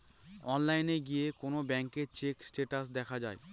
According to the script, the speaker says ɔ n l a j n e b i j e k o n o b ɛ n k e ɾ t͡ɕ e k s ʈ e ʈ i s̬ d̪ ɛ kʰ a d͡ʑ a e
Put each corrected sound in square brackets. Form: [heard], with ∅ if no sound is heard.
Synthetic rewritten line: ɔ n l a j n e [ɡ] i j e k o n o b ɛ [ŋ] k e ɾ t͡ɕ e k s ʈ e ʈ [a] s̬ d̪ ɛ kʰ a d͡ʑ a e

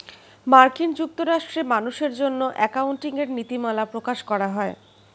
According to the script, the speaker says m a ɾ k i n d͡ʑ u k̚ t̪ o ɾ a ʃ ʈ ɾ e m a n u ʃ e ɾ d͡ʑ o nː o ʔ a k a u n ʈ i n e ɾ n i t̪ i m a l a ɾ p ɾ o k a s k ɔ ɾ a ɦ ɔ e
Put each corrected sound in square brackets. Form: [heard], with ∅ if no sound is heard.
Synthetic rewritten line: m a ɾ k i n d͡ʑ u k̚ t̪ o ɾ a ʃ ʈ ɾ e m a n u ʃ e ɾ d͡ʑ o nː o ʔ [ɛ] k a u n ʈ i [ŋ] e ɾ n i t̪ i m a l a [∅] p ɾ o k a [ʃ] k ɔ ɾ a ɦ ɔ e

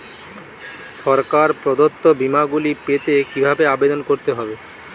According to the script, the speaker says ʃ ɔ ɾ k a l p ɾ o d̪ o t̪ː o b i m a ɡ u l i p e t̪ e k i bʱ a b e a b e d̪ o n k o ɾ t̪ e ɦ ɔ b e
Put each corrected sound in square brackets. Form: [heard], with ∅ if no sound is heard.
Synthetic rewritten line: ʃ ɔ ɾ k a [ɾ] p ɾ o d̪ o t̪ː o b i m a ɡ u l i p e t̪ e k i bʱ a b e a b e d̪ o n k o ɾ t̪ e ɦ ɔ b e

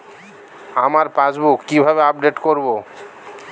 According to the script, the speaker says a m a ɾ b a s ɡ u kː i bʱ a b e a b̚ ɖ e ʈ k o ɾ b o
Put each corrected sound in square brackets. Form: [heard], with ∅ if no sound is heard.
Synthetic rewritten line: a m a ɾ [p] a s [b] u kː i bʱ a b e a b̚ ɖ e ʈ k o ɾ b o

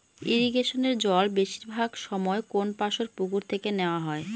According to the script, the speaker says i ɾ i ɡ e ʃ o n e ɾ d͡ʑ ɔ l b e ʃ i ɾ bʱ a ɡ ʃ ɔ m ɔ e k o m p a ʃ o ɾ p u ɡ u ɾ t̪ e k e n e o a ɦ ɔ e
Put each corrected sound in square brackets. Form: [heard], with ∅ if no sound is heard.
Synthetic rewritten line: i ɾ i ɡ e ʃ o n e ɾ d͡ʑ ɔ l b e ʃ i ɾ bʱ a ɡ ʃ ɔ m ɔ e k o [n] p a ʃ o ɾ p u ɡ u ɾ [t̪ʰ] e k e n e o a ɦ ɔ e

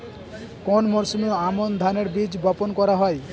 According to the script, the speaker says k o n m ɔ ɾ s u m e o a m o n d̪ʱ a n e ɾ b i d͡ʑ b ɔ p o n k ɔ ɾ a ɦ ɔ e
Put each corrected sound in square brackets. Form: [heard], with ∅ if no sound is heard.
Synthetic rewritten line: k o n m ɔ ɾ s u m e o a m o n d̪ʱ a n e ɾ b i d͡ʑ b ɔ p o n k ɔ ɾ a ɦ ɔ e

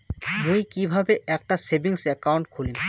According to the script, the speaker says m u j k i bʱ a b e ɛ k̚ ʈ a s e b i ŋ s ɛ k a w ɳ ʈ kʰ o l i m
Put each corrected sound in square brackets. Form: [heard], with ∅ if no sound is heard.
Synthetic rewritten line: m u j k i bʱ a b e ɛ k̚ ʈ a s e b i ŋ s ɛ k a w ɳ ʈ kʰ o l i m

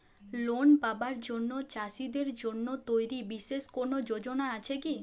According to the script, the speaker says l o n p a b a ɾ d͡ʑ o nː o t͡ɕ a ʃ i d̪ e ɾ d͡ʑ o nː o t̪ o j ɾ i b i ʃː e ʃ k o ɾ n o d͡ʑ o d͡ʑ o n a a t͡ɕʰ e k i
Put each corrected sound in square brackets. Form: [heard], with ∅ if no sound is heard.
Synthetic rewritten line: l o n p a b a ɾ d͡ʑ o nː o t͡ɕ a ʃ i d̪ e ɾ d͡ʑ o nː o t̪ o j ɾ i b i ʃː e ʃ k o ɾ n o d͡ʑ o d͡ʑ o n a a t͡ɕʰ e k i

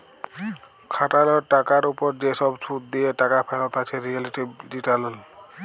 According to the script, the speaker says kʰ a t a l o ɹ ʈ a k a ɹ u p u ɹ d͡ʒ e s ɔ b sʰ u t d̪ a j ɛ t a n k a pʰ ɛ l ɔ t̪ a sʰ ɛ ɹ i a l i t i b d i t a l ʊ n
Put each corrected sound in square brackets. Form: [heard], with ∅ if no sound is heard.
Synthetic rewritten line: kʰ a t a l [ɔ] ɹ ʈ a k a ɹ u p [ɔ] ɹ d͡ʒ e s ɔ b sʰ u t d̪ [i] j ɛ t a [∅] k a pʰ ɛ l ɔ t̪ a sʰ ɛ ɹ i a l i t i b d i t a l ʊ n

